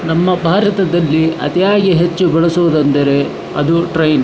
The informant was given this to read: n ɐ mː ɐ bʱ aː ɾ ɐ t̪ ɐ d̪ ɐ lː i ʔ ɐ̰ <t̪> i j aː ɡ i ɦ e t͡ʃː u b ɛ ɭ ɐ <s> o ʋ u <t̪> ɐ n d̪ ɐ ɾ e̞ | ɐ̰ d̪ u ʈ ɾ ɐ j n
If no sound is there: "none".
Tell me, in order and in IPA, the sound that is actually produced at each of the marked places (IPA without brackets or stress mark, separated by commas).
t̪, s, d̪